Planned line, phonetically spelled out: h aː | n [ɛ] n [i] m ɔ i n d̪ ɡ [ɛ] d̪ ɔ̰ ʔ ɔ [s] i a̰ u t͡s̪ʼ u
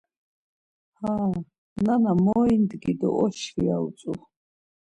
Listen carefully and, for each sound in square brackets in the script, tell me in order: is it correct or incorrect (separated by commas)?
incorrect, incorrect, incorrect, incorrect